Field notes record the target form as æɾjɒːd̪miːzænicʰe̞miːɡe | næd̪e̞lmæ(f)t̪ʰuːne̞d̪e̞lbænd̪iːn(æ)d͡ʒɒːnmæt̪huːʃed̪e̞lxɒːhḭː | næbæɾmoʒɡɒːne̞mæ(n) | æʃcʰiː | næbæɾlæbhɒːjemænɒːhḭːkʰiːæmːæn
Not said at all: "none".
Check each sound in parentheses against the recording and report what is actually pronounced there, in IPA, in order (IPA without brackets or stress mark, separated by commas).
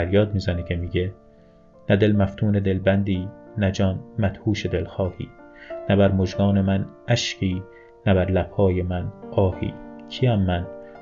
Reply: f, æ, n